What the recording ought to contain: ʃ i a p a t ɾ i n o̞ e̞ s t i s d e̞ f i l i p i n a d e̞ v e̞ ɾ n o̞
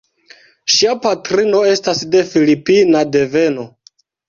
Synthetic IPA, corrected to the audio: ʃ i a p a t ɾ i n o̞ e̞ s t a s d e̞ f i l i p i n a d e̞ v e̞ n o̞